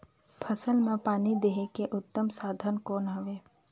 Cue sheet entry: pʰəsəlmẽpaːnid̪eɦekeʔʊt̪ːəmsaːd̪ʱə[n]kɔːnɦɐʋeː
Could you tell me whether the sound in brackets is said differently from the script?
no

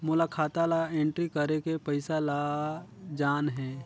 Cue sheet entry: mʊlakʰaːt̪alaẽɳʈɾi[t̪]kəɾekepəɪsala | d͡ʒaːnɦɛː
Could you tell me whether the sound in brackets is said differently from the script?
yes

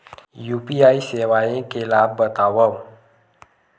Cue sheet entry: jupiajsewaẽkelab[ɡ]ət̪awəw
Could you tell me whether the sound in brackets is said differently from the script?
yes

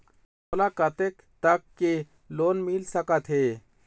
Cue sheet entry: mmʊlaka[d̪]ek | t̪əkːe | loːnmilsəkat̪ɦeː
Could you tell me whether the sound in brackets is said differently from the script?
yes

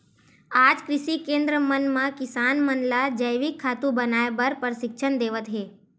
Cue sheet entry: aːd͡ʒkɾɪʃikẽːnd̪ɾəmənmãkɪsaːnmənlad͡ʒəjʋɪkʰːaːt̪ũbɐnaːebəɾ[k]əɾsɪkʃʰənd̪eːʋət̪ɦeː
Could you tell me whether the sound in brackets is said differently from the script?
yes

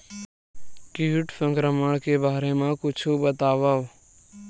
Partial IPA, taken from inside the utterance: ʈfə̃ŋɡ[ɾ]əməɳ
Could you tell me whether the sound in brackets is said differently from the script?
no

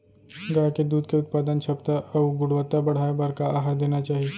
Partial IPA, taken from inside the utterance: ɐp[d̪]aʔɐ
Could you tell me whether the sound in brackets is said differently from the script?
yes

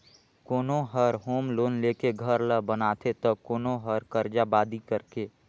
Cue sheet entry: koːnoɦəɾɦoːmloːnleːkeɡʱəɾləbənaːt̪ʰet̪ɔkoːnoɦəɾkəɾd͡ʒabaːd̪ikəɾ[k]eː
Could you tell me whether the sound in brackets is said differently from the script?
no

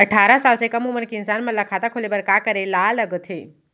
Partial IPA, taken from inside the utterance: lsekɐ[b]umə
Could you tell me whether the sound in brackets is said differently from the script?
yes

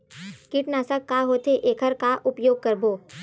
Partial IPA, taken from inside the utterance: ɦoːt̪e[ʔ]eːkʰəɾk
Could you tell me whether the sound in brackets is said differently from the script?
no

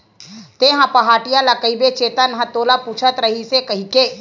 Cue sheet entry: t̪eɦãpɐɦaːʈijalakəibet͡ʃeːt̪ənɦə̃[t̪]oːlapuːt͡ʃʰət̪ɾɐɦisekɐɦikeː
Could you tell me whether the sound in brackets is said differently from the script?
no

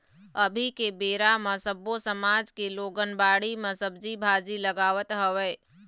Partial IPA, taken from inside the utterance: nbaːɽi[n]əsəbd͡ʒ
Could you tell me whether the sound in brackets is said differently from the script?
yes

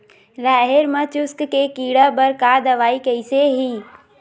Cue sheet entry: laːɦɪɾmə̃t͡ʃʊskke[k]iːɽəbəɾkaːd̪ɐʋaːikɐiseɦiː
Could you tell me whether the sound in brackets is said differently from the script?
no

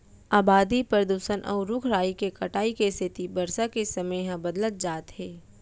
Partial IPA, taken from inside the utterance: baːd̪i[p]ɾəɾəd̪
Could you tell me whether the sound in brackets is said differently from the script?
no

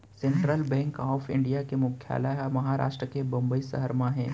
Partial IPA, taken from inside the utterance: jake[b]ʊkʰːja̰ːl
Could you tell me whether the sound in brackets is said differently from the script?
yes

